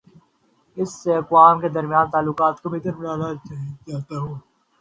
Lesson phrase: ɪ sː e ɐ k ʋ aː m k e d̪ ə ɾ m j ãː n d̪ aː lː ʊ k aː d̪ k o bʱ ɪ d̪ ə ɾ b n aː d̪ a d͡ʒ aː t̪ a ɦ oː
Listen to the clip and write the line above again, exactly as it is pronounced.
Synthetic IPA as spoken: ɪ sː e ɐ k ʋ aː m k e d̪ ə ɾ m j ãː n t̪ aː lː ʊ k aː t̪ k o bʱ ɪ t̪ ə ɾ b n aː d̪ a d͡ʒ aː t̪ a ɦ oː